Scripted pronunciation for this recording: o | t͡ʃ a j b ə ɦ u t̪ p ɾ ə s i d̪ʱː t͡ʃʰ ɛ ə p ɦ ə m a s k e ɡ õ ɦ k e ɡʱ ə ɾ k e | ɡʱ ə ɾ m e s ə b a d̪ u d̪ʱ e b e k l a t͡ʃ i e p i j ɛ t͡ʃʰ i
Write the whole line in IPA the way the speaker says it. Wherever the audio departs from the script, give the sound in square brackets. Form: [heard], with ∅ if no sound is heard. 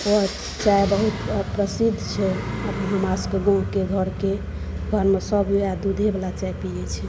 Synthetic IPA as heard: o | t͡ʃ a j b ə ɦ u t̪ p ɾ ə s i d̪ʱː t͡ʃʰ ɛ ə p ɦ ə m a s k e ɡ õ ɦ k e ɡʱ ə ɾ k e | ɡʱ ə ɾ m e s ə b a d̪ u d̪ʱ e b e [∅] l a t͡ʃ [a] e p i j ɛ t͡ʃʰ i